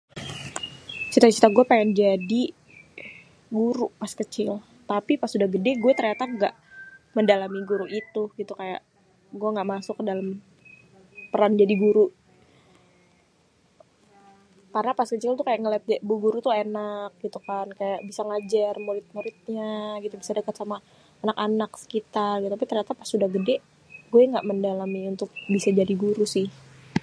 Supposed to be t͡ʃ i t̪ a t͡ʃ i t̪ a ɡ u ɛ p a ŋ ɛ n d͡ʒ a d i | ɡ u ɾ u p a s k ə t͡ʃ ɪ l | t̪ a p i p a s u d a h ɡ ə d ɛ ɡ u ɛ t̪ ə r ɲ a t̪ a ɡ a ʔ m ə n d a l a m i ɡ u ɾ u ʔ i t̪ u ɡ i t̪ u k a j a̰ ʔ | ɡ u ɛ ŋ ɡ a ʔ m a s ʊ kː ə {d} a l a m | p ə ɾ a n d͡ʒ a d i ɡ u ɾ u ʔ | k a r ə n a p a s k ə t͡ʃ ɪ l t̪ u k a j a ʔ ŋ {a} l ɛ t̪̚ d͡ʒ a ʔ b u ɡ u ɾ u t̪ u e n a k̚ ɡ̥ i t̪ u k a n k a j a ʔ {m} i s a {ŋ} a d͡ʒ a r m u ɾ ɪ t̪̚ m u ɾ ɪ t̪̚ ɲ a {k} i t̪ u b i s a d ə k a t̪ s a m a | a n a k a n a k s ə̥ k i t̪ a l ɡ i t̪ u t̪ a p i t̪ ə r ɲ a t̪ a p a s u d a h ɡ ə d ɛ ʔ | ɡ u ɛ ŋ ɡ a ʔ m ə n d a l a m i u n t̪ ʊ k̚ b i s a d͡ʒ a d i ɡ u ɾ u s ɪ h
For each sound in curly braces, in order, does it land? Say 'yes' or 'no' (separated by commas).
yes, no, no, yes, no